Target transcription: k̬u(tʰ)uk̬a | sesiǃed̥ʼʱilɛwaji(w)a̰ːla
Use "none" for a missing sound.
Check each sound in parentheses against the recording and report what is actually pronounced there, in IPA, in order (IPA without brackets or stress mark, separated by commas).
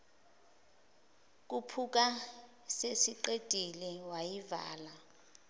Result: pʰ, v